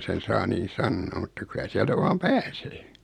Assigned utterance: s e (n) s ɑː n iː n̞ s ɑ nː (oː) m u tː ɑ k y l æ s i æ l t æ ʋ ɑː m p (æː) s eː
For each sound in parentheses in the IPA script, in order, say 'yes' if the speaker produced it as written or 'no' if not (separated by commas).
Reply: yes, yes, yes